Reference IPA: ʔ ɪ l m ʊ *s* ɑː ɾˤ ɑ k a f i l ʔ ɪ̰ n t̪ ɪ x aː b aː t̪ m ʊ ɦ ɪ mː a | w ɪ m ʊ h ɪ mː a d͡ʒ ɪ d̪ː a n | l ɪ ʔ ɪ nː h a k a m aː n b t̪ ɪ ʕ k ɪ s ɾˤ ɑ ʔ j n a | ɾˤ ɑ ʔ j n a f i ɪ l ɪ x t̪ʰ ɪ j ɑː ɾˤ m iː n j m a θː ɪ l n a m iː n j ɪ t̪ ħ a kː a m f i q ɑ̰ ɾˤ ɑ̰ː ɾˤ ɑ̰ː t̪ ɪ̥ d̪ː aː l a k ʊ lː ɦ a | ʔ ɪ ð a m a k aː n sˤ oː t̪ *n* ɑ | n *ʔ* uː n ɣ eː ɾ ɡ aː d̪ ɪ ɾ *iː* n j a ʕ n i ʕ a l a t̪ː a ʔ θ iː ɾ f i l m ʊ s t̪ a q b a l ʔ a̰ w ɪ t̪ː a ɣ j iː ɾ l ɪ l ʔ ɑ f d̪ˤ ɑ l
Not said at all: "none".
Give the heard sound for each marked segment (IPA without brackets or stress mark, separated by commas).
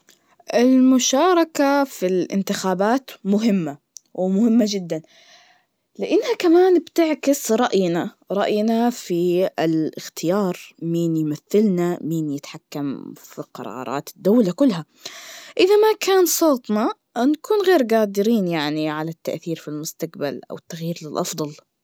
ʃ, n, k, iː